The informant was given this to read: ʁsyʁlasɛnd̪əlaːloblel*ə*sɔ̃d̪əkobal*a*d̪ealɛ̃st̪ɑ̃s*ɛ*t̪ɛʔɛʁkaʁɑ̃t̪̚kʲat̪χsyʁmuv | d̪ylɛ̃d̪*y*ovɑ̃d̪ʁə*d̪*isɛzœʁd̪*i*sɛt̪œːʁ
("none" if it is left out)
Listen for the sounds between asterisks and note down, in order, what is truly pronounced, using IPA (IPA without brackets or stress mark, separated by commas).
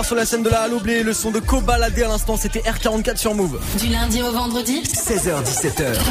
ə, a, e, i, d̪, i